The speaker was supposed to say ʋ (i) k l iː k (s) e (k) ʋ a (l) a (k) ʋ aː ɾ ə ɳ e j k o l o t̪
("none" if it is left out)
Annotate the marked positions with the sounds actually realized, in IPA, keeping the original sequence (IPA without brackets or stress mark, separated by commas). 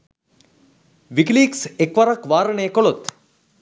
i, s, k, ɾ, k